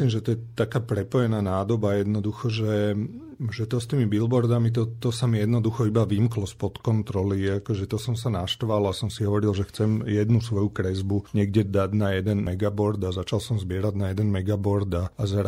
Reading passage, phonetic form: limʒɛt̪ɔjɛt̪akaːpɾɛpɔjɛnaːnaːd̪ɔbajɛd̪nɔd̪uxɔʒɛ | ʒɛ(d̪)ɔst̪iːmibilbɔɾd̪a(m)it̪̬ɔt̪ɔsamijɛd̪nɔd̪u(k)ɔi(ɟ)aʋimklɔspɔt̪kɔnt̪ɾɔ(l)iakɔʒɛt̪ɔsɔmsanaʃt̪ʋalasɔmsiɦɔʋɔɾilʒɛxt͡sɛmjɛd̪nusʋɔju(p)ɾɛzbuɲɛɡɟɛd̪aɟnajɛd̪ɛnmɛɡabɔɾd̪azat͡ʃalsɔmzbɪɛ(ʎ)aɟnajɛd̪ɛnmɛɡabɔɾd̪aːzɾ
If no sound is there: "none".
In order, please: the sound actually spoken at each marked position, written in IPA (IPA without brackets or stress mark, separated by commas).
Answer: t̪, m, x, b, l, k, ɾ